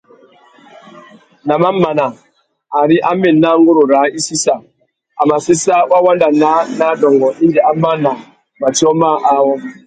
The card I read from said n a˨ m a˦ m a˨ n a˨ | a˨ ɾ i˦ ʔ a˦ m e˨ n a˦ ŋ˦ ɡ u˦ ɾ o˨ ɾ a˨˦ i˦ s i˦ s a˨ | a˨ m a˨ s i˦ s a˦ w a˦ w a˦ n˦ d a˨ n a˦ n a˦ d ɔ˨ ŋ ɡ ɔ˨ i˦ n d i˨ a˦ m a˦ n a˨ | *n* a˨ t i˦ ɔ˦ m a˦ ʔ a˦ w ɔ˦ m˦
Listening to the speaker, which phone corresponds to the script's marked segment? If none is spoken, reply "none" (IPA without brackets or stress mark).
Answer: m